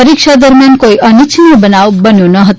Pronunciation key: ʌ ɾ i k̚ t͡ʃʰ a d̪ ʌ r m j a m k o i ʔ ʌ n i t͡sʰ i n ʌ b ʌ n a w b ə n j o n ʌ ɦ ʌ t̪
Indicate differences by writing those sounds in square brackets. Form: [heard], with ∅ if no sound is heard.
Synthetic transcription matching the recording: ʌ ɾ i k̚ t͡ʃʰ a d̪ ʌ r m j a [n] k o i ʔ ʌ n i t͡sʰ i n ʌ b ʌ n a w b [ʌ] n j o n ʌ ɦ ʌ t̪